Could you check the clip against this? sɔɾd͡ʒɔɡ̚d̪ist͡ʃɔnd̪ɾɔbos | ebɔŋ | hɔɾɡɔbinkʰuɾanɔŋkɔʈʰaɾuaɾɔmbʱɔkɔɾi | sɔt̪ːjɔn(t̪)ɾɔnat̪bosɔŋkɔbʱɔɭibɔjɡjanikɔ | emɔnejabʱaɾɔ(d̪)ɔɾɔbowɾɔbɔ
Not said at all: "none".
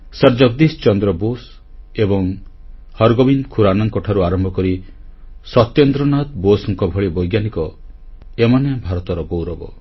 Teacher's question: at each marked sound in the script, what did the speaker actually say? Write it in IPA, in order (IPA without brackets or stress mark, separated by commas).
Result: d̪, t̪